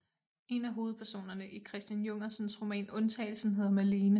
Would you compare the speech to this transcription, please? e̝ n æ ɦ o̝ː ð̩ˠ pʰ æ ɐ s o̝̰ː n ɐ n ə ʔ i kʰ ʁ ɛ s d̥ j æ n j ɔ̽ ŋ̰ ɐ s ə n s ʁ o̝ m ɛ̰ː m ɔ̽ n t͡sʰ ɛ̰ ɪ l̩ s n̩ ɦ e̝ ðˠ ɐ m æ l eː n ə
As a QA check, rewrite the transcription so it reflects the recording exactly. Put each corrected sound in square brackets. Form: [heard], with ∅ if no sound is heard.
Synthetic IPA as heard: e̝ n æ ɦ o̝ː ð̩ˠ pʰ æ ɐ s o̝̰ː n ɐ n ə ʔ i kʰ ʁ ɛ s d̥ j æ n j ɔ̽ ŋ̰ ɐ s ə n s ʁ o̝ m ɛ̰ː [n] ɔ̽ n t͡sʰ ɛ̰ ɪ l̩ s n̩ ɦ e̝ ðˠ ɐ m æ l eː n ə